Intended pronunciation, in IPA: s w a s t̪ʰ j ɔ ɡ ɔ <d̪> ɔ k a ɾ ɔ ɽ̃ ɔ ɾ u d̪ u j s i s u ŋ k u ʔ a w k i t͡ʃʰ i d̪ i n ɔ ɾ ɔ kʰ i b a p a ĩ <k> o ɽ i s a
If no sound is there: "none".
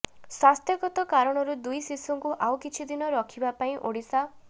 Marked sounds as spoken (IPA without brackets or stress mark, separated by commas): t̪, ʔ